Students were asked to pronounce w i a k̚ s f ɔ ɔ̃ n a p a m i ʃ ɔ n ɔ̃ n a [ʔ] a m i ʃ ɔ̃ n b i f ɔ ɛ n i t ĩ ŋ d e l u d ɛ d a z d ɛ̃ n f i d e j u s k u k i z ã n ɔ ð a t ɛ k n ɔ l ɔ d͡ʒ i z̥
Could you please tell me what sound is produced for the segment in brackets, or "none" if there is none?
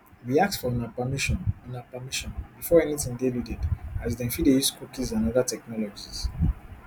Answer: p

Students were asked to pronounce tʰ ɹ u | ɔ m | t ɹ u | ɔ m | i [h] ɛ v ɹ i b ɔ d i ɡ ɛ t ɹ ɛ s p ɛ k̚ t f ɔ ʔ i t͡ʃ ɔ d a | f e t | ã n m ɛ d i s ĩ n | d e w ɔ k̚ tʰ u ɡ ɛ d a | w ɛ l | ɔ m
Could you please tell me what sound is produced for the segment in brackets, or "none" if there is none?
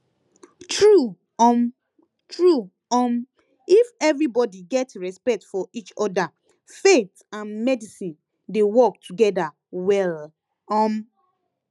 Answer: f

